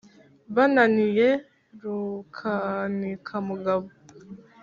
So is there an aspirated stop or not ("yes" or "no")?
yes